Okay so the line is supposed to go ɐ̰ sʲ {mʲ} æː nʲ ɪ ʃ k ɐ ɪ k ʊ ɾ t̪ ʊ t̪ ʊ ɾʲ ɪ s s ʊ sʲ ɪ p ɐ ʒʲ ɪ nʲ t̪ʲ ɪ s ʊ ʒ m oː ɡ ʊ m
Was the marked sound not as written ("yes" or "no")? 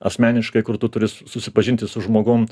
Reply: no